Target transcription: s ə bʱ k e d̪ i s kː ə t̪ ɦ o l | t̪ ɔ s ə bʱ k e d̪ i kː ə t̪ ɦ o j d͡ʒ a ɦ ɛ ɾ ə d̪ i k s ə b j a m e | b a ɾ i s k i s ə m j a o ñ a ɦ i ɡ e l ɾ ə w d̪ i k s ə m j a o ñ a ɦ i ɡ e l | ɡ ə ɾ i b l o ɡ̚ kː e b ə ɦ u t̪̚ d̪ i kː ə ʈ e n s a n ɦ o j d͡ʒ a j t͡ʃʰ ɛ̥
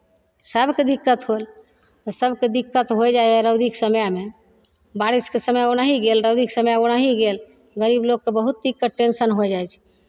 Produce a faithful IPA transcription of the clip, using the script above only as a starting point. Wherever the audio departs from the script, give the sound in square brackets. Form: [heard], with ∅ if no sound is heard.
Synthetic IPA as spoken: s ə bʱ k e d̪ i [∅] kː ə t̪ ɦ o l | t̪ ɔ s ə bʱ k e d̪ i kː ə t̪ ɦ o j d͡ʒ a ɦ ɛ ɾ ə d̪ i k s ə [m] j a m e | b a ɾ i s k [e] s ə m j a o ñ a ɦ i ɡ e l ɾ ə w d̪ i k s ə m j a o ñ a ɦ i ɡ e l | ɡ ə ɾ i b l o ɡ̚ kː e b ə ɦ u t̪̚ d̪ i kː ə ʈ e n s [ə] n ɦ o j d͡ʒ a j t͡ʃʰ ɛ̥